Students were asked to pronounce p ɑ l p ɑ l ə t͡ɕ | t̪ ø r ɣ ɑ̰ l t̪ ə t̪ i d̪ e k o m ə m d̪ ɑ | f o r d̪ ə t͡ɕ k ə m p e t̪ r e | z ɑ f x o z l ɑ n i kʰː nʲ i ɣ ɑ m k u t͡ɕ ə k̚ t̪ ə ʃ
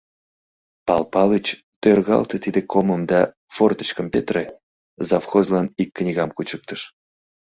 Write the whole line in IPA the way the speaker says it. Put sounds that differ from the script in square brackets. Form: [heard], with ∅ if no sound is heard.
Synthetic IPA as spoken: p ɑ l p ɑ l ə t͡ɕ | t̪ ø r ɣ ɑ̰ l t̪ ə t̪ i d̪ e k o m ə m d̪ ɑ | f o r [t̪] ə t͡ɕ k ə m p e t̪ r e | z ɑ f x o z l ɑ n i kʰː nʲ i ɣ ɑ m k u t͡ɕ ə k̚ t̪ ə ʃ

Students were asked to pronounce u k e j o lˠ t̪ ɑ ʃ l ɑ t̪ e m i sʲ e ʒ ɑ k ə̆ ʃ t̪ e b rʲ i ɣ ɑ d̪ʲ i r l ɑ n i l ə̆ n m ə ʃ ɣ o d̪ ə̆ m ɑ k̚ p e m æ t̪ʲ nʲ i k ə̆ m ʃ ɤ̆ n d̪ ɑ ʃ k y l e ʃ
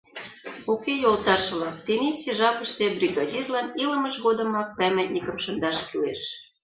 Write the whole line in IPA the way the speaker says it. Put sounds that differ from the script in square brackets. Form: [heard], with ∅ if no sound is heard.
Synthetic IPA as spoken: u k e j o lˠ t̪ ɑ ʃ l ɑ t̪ e [n] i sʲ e ʒ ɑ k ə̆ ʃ t̪ e b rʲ i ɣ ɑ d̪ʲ i r l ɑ n i l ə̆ [∅] m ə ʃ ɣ o d̪ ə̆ m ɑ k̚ p [æ] m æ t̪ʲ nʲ i k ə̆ m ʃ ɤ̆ n d̪ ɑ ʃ k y l e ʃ

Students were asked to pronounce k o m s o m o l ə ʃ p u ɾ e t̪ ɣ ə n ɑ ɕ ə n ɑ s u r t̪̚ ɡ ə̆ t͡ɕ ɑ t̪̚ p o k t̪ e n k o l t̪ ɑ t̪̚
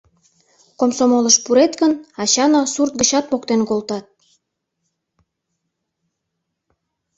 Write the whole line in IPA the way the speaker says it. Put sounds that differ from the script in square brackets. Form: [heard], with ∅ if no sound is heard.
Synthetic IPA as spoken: k o m s o m o l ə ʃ p u ɾ e t̪ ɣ ə n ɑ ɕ [ɑ] n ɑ s u r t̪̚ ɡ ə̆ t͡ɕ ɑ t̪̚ p o k t̪ e n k o l t̪ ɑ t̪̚

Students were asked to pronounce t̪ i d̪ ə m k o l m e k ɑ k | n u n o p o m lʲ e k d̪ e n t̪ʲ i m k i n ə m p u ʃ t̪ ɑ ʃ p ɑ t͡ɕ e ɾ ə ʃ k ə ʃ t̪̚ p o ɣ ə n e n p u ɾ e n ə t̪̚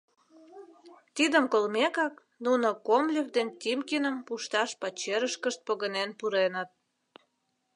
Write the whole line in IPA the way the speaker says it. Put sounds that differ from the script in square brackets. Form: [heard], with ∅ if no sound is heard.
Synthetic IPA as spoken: t̪ i d̪ ə m k o l m e k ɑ k | n u n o [k] o m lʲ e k d̪ e n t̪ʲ i m k i n ə m p u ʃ t̪ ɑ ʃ p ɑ t͡ɕ e ɾ ə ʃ k ə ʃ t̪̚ p o ɣ ə n e n p u ɾ e n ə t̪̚

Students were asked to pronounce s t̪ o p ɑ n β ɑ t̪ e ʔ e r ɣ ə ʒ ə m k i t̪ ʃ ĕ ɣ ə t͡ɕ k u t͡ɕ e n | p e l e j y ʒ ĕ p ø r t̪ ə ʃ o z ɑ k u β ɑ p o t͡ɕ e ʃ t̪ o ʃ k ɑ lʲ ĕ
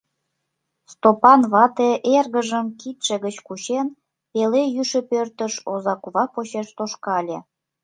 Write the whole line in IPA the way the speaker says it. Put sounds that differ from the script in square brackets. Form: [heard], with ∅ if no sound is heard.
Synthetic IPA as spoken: s t̪ o p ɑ n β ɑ t̪ e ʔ e r ɣ ə ʒ ə m k i t̪ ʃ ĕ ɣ ə t͡ɕ k u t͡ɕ e n | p e l e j y [ʃ] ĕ p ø r t̪ ə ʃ o z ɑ k u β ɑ p o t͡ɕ e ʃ t̪ o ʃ k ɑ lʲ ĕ

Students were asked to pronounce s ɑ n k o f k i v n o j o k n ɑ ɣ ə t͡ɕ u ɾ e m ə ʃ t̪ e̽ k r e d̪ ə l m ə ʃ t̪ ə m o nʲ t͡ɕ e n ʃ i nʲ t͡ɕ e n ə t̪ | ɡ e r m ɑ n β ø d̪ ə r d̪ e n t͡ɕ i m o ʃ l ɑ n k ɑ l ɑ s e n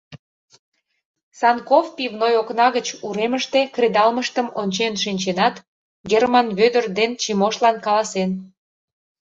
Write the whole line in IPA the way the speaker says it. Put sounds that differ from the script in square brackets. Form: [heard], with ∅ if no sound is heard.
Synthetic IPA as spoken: s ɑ n k o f [p] i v n o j o k n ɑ ɣ ə t͡ɕ u ɾ e m ə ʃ t̪ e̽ k r e d̪ [ɑ] l m ə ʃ t̪ ə m o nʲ t͡ɕ e n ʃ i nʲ t͡ɕ e n [ɑ] t̪ | ɡ e r m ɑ n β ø d̪ ə r d̪ e n t͡ɕ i m o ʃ l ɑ n k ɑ l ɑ s e n

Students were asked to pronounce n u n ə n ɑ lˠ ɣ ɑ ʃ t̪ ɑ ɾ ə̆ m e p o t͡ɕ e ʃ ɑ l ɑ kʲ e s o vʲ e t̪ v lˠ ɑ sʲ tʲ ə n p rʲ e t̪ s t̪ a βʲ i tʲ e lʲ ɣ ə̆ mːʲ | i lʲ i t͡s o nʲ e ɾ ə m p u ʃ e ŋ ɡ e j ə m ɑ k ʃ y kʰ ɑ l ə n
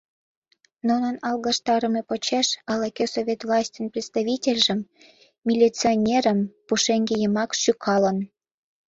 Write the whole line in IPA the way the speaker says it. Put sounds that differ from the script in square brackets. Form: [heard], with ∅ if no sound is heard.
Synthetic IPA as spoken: n u n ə n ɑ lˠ ɣ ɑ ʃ t̪ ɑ ɾ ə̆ m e p o t͡ɕ e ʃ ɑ l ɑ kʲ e s o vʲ e t̪ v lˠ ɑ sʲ tʲ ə n p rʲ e t̪ s t̪ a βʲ i tʲ e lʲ [ʒ] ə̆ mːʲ | i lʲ i t͡s o nʲ e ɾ ə m p u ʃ e ŋ ɡ e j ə m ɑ k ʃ y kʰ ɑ l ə n

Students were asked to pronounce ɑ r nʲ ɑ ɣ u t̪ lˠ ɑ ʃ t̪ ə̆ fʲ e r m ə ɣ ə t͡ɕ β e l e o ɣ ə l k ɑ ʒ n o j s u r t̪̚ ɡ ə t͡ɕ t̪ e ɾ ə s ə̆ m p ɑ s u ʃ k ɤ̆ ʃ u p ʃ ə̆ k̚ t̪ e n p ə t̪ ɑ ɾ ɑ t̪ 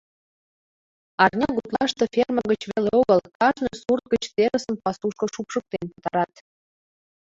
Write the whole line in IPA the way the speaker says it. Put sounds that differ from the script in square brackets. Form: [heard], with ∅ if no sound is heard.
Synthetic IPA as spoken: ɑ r nʲ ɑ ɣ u t̪ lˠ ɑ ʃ t̪ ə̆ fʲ e r m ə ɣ ə t͡ɕ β e l e o ɣ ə l k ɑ ʒ n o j s u r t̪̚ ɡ ə t͡ɕ t̪ e ɾ ə s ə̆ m p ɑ s u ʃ k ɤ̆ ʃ u p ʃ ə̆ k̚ t̪ e n p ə t̪ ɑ ɾ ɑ t̪

